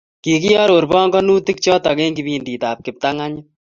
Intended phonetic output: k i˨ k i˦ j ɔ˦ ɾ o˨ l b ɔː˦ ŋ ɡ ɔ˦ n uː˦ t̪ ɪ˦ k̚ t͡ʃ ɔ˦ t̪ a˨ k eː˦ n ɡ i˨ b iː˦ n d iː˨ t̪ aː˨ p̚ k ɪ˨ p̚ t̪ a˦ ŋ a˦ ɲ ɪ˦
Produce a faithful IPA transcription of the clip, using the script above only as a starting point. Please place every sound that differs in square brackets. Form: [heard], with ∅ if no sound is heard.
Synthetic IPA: k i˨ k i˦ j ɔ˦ ɾ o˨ [ɾ] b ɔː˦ ŋ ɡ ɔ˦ n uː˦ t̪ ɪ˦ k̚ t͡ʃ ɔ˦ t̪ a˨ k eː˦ [ŋ] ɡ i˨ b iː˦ n d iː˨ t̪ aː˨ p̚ k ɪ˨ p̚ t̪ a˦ ŋ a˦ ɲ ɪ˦